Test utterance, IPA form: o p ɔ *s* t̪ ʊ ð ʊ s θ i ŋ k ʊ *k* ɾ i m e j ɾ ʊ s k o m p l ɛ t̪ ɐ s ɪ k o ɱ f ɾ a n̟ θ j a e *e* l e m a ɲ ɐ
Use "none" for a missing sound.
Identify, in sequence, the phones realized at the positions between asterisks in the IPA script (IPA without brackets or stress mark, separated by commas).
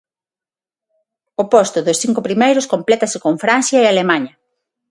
s, p, a